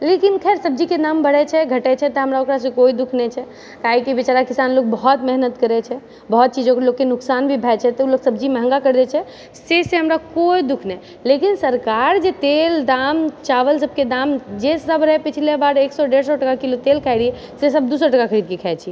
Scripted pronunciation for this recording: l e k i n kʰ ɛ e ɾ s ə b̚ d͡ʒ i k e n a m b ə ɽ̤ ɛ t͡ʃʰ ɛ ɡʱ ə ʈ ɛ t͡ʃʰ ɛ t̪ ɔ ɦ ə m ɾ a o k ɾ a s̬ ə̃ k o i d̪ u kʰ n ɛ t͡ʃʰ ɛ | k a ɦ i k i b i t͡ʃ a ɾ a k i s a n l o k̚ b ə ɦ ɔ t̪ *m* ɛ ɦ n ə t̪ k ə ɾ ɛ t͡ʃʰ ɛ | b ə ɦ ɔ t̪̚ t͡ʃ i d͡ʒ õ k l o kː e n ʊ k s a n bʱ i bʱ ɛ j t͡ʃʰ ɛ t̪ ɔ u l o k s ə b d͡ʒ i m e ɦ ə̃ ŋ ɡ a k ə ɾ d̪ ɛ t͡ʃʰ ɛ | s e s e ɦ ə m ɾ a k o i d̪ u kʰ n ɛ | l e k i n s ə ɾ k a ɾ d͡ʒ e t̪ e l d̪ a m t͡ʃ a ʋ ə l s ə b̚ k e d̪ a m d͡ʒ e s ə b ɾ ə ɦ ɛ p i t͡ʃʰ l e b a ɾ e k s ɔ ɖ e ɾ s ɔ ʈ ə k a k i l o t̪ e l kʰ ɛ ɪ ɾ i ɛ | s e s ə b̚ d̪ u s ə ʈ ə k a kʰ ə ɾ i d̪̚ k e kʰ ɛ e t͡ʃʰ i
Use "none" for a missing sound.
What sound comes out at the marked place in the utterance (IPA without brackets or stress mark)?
m